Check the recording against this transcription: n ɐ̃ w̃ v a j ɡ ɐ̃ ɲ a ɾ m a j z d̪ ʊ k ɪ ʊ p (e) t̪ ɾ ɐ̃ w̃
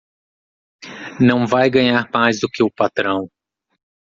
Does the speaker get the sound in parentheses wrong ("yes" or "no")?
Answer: yes